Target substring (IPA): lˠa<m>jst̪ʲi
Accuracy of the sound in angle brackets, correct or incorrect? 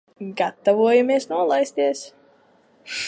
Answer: incorrect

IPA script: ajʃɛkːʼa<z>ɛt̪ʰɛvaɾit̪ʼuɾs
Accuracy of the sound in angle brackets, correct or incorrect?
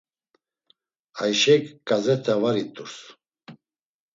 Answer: correct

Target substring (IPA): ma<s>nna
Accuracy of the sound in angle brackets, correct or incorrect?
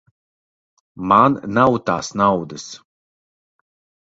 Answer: incorrect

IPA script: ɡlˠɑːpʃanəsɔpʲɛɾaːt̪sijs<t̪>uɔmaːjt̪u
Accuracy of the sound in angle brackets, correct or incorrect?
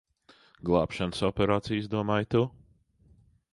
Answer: incorrect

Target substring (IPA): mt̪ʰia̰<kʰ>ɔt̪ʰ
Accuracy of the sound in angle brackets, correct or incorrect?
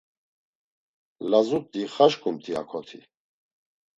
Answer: correct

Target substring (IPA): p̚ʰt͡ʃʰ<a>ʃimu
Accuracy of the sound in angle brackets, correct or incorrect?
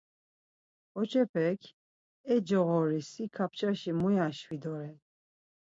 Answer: correct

